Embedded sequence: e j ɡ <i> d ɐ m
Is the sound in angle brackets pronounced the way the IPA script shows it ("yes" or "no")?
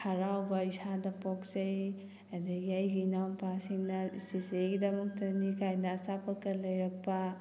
yes